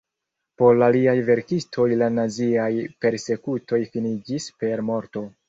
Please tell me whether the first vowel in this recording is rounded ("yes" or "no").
yes